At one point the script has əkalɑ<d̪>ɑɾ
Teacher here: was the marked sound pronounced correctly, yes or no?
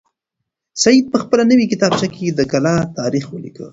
no